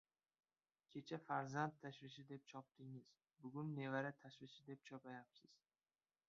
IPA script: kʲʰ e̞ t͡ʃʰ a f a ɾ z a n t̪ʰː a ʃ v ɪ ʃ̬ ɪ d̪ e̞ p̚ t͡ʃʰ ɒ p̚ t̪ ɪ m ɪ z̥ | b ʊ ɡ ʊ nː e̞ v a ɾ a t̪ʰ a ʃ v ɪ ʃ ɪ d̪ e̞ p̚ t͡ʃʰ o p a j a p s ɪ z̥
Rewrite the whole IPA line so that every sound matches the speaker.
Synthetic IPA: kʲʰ e̞ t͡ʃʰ a f a ɾ z a n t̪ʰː a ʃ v ɪ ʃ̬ ɪ d̪ e̞ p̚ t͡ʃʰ ɒ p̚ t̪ ɪ ŋ ɪ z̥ | b ʊ ɡ ʊ nː e̞ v a ɾ a t̪ʰ a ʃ v ɪ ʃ ɪ d̪ e̞ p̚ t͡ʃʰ ɒ p a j a p s ɪ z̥